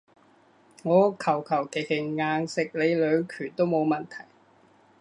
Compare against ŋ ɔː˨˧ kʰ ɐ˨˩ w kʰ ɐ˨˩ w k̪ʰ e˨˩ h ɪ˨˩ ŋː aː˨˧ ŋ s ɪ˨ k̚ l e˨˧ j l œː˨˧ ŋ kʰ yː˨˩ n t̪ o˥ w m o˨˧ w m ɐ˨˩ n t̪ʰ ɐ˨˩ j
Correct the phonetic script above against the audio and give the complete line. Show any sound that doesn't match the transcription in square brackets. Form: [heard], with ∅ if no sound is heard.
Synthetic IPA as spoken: ŋ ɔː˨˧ kʰ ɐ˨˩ w kʰ ɐ˨˩ w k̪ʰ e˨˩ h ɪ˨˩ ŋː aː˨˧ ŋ s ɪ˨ k̚ l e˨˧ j l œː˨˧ ŋ kʰ yː˨˩ n t̪ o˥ w m o˨˧ w m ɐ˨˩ n t̪ʰ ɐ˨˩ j